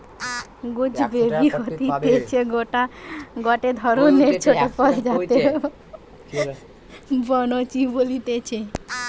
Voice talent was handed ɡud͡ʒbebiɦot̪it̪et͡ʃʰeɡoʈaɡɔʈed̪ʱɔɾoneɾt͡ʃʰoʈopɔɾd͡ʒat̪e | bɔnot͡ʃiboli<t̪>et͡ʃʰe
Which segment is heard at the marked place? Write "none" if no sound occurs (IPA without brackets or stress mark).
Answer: t̪